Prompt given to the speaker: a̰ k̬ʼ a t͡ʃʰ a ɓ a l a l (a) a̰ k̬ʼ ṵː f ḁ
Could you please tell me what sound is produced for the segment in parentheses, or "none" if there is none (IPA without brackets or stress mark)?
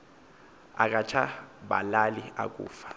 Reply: i